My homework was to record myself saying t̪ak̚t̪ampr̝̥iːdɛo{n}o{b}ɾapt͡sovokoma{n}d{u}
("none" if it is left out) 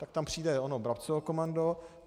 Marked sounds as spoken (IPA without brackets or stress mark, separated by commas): n, b, n, o